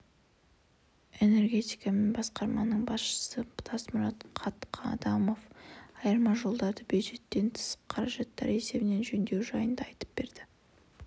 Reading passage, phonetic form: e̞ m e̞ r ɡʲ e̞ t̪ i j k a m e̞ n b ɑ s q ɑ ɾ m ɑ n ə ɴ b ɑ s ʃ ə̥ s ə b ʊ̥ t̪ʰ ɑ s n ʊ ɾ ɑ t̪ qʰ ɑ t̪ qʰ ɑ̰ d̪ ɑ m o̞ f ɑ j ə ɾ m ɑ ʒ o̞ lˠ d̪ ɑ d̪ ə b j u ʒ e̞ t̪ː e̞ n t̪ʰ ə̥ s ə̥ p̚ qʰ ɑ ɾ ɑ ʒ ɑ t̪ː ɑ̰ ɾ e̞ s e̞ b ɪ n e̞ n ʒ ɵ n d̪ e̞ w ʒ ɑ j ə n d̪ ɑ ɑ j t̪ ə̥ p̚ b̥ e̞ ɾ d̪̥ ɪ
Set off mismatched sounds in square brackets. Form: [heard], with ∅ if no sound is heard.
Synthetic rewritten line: e̞ [n] e̞ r ɡʲ e̞ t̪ i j k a m e̞ n b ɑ s q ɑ ɾ m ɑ n ə ɴ b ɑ s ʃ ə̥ s ə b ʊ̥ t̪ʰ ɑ s [m] ʊ ɾ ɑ t̪ qʰ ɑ t̪ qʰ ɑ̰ d̪ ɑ m o̞ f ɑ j ə ɾ m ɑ ʒ o̞ lˠ d̪ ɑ d̪ ə b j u ʒ e̞ t̪ː e̞ n t̪ʰ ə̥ s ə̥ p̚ qʰ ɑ ɾ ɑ ʒ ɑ t̪ː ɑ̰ ɾ e̞ s e̞ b ɪ n e̞ n ʒ ɵ n d̪ e̞ w ʒ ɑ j ə n d̪ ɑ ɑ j t̪ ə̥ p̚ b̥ e̞ ɾ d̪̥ ɪ